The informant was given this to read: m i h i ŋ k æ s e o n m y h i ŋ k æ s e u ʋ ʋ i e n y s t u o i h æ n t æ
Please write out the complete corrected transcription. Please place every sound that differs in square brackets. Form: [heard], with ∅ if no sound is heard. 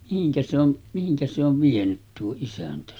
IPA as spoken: m i h i ŋ k æ s e o n m [i] h i ŋ k æ s e [o] ʋ ʋ i e n y [t] t u o i [s] æ n t æ